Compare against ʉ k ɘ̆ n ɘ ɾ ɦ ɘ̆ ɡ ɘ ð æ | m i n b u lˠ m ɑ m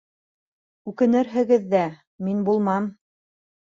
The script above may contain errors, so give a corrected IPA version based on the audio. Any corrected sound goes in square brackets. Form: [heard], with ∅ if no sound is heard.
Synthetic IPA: ʉ k ɘ̆ n ɘ ɾ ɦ ɘ̆ ɡ ɘ [ðː] æ | m i n b u lˠ m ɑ m